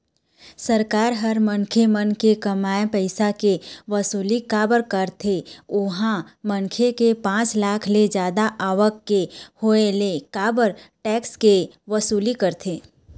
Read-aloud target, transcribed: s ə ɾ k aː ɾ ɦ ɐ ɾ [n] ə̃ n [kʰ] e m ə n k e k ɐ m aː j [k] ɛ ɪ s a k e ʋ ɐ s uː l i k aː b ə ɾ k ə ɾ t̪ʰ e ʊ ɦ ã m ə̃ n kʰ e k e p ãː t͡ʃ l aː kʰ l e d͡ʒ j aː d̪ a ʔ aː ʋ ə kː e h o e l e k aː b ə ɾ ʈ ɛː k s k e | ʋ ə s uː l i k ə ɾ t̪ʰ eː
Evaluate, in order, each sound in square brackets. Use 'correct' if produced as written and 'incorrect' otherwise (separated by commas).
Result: incorrect, correct, incorrect